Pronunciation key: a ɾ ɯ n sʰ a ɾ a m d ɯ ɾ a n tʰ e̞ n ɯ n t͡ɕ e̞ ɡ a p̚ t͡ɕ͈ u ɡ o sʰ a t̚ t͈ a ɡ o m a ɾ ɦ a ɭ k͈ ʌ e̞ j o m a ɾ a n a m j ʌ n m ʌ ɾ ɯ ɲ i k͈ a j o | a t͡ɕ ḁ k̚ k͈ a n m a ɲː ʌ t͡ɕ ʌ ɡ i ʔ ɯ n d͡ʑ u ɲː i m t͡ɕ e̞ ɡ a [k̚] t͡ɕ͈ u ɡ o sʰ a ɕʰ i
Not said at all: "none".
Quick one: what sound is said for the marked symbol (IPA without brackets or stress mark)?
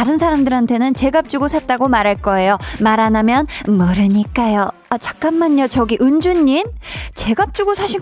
p̚